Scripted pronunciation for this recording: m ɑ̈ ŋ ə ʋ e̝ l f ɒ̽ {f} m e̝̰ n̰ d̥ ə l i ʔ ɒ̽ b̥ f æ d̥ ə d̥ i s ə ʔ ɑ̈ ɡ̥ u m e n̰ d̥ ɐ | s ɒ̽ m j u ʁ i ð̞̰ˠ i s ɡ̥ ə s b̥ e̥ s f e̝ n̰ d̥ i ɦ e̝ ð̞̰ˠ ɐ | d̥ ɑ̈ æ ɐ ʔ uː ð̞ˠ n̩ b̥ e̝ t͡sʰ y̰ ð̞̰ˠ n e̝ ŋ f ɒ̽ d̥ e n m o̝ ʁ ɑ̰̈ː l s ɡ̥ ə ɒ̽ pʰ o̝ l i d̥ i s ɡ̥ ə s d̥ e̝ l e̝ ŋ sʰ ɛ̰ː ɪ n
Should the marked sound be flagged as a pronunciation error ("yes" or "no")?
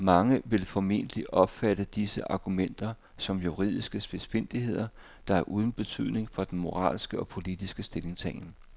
yes